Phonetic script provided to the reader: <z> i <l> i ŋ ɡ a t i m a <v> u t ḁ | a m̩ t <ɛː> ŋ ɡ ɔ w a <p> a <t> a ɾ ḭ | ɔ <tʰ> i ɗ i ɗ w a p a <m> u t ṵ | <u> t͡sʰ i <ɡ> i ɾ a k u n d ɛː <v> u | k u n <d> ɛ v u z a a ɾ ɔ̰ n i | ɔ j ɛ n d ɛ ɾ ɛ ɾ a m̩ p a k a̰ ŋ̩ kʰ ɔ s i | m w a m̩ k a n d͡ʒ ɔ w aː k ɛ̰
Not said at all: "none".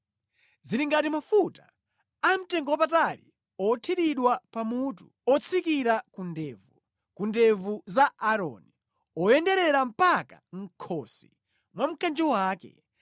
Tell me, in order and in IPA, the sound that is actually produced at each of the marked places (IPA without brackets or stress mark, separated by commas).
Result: z, ɾ, f, ɛ, p, t, tʰ, m, ɔ, k, v, d